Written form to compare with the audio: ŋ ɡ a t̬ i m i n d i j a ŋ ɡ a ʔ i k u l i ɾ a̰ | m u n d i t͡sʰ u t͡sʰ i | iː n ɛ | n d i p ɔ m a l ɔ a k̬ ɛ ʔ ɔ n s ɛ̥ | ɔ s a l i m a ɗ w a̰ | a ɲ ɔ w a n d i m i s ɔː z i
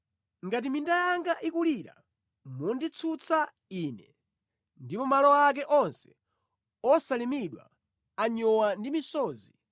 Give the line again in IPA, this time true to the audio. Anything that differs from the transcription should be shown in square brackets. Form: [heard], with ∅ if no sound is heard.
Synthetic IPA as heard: ŋ ɡ a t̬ i m i n d [a] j a ŋ ɡ a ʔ i k u l i ɾ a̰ | m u n d i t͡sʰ u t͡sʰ [a] | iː n ɛ | n d i p ɔ m a l ɔ a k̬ ɛ ʔ ɔ n s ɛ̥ | ɔ s a l i m [i] ɗ w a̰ | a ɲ ɔ w a n d i m i s ɔː z i